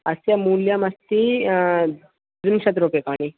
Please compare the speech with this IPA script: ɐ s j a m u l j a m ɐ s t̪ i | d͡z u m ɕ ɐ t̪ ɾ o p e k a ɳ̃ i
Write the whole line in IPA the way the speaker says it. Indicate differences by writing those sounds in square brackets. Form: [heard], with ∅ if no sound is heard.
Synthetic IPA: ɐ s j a m u l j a m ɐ s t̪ i | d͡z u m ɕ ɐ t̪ ɾ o p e k a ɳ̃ i